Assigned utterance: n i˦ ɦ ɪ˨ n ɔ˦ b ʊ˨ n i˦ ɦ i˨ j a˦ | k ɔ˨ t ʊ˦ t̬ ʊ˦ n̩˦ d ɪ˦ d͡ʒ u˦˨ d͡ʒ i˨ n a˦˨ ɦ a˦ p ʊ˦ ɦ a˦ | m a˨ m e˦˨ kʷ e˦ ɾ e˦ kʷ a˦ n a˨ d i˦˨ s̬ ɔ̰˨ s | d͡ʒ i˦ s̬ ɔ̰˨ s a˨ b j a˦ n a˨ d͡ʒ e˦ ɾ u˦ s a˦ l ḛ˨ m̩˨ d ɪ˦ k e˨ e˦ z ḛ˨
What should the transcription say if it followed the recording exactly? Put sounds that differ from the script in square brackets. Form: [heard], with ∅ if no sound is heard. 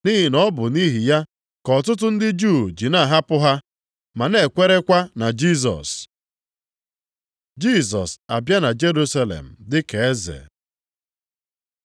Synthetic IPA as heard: n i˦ ɦ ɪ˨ n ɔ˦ b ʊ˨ n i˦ ɦ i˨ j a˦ | k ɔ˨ t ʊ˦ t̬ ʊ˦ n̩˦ d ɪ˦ d͡ʒ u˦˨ d͡ʒ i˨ n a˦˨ ɦ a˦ p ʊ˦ ɦ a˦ | m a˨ [n] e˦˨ kʷ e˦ ɾ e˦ kʷ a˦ n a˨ [d͡ʒ] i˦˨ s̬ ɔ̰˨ s | d͡ʒ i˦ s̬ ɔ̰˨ s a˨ b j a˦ n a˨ d͡ʒ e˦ ɾ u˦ s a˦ l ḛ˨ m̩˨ d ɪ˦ k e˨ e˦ z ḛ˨